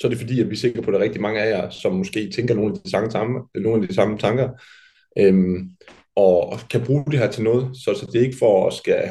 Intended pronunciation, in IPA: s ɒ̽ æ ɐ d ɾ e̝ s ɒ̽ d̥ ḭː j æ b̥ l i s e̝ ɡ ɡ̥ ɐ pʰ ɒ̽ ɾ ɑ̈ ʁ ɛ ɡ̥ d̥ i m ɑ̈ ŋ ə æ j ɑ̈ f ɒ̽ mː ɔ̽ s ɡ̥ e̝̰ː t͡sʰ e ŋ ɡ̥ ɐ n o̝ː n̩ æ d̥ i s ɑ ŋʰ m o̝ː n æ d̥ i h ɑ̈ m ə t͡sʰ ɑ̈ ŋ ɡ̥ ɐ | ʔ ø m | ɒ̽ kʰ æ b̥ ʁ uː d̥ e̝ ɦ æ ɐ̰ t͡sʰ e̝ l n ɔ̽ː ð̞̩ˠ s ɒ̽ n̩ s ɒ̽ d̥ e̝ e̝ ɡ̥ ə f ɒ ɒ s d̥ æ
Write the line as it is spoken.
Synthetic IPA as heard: s ɒ̽ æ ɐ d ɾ e̝ f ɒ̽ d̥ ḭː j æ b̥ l i s e̝ ɡ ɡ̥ ɐ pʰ ɒ̽ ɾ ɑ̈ ʁ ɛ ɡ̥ d̥ i m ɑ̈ ŋ ə æ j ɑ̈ s ɒ̽ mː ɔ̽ s ɡ̥ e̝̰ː t͡sʰ e ŋ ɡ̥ ɐ n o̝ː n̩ æ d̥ i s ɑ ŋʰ n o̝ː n æ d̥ i s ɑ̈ m ə t͡sʰ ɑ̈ ŋ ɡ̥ ɐ | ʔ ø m | ɒ̽ kʰ æ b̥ ʁ uː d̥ e̝ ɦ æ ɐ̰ t͡sʰ e̝ l n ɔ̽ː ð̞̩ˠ s ɒ̽ s ɒ̽ d̥ e̝ e̝ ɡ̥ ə f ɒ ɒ s ɡ̥ æ